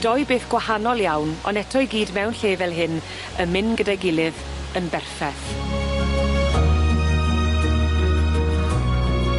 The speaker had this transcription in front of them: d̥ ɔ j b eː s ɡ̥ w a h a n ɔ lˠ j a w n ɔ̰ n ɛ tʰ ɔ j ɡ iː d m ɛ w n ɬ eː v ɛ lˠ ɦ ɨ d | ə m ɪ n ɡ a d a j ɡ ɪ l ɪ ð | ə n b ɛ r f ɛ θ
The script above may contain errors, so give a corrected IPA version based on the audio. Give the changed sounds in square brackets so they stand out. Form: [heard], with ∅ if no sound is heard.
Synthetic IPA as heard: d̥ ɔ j b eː [θ] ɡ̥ w a h a n ɔ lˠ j a w n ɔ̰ n ɛ tʰ ɔ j ɡ iː d m ɛ w n ɬ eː v ɛ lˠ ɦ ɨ [n] | ə m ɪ n ɡ [ə] d a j ɡ ɪ l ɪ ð | ə n b ɛ r f ɛ θ